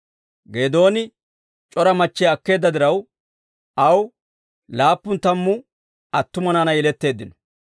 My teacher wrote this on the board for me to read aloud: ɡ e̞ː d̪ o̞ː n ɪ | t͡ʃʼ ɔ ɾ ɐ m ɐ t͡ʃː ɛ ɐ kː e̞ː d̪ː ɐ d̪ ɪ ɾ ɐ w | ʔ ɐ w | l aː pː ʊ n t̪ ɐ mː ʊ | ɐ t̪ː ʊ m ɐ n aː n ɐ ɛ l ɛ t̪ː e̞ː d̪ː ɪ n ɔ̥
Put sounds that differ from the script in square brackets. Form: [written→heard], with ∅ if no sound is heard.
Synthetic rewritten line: ɡ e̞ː d̪ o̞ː n ɪ | t͡ʃʼ ɔ ɾ ɐ m ɐ t͡ʃː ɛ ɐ kː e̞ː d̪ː ɐ d̪ ɪ ɾ ɐ w | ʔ ɐ w | l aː pː ʊ n t̪ ɐ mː ʊ | ɐ t̪ː ʊ m ɐ n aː n ɐ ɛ l ɛ t̪ː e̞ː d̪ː ɪ n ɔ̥

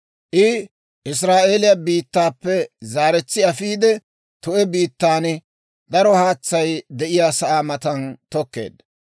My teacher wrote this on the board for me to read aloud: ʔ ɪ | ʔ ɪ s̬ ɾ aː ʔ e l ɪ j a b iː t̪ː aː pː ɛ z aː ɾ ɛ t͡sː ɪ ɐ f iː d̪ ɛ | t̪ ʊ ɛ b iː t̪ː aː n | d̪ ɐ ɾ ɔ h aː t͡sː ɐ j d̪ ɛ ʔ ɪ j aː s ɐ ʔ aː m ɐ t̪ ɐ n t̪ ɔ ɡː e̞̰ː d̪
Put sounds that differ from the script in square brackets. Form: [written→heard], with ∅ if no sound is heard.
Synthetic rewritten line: ʔ ɪ | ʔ ɪ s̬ ɾ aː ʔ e l ɪ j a b iː t̪ː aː pː ɛ z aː ɾ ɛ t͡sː ɪ ɐ f iː d̪ ɛ | t̪ ʊ ɛ b iː t̪ː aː n | d̪ ɐ ɾ ɔ h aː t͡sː ɐ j d̪ ɛ ʔ ɪ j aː s ɐ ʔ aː m ɐ t̪ ɐ n t̪ ɔ [ɡː→kː] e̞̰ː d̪

